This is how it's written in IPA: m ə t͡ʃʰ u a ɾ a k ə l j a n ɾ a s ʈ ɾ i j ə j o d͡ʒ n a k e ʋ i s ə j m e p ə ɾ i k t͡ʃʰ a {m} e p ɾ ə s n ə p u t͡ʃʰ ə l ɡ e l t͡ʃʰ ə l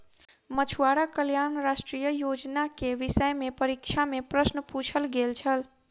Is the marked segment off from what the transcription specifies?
no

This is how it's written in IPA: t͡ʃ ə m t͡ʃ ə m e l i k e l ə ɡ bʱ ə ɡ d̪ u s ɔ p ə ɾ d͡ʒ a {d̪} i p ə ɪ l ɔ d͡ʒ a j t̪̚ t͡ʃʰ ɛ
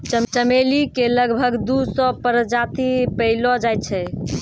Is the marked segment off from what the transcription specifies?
yes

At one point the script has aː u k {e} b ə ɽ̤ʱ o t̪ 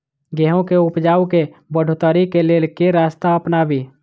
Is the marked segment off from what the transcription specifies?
no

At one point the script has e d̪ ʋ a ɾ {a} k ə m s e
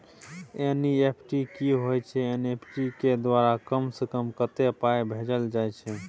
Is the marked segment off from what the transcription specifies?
no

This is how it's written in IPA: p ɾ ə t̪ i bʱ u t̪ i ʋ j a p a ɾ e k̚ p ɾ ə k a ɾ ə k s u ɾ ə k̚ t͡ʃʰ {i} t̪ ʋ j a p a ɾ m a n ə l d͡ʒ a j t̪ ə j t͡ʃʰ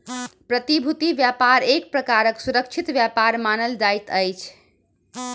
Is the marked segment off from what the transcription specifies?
no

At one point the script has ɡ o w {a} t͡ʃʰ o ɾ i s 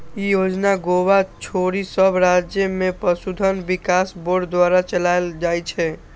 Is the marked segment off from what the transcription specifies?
no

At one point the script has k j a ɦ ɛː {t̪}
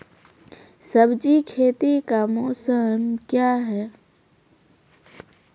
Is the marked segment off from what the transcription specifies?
yes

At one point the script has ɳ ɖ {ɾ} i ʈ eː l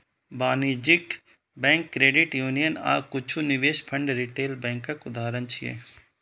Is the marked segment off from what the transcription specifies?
no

